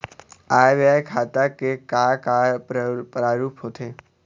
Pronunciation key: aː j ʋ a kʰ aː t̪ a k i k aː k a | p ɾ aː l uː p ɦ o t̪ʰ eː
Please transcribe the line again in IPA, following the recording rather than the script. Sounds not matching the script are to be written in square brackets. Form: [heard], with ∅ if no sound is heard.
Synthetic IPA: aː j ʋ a kʰ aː t̪ a k [e] k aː k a | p ɾ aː [ɾ] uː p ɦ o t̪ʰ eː